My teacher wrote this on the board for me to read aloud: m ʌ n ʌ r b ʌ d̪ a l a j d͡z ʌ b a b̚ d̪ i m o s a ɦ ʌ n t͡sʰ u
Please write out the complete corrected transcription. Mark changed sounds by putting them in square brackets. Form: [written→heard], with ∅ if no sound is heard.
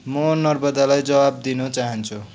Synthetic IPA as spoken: m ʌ n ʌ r b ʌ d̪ a l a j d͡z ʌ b a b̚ d̪ i [m→n] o [s→t͡s] a ɦ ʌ n t͡sʰ u